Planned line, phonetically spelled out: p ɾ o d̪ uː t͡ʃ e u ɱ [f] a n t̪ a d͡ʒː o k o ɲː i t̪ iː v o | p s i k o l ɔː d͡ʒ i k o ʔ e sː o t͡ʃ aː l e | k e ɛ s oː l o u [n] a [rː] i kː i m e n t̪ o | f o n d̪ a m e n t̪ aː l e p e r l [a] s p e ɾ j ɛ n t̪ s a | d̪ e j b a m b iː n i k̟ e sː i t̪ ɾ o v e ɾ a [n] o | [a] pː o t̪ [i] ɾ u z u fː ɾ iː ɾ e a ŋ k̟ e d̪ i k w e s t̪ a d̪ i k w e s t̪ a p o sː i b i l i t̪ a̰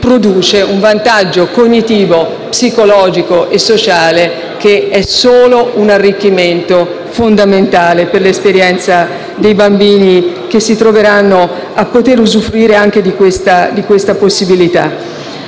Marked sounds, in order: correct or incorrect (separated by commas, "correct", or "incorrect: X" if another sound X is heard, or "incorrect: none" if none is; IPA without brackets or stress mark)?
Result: incorrect: v, correct, correct, incorrect: e, incorrect: nː, correct, incorrect: e